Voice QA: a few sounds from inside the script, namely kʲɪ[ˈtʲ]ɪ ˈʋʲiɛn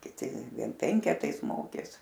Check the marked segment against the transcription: correct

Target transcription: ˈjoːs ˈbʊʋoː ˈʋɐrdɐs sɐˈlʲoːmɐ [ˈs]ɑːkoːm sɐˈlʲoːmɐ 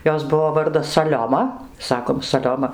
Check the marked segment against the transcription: correct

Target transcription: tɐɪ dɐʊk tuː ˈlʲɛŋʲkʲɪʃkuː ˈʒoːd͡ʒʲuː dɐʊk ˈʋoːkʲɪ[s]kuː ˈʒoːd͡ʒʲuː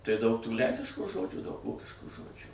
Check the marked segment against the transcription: incorrect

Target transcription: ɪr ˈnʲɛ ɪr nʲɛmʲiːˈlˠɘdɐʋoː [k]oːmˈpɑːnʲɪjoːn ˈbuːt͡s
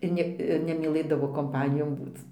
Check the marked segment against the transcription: correct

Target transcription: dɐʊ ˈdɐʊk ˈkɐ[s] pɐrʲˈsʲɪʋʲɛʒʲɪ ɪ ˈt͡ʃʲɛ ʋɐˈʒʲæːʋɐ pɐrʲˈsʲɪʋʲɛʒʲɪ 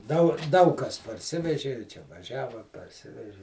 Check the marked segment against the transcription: correct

